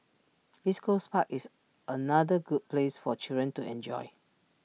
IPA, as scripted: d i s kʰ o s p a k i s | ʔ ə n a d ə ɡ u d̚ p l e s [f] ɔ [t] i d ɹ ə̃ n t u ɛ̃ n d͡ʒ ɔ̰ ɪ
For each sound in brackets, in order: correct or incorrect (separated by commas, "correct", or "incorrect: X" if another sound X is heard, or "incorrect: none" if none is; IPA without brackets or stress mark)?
correct, incorrect: t͡ʃ